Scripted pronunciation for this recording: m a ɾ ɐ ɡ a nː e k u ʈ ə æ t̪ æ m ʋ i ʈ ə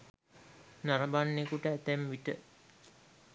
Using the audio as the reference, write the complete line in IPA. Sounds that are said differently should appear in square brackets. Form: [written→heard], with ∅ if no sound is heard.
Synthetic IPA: [m→n] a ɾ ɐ [ɡ→b] a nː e k u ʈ ə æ t̪ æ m ʋ i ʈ ə